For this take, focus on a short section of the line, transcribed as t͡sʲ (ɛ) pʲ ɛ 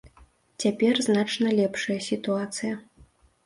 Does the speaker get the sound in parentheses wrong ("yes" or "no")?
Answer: yes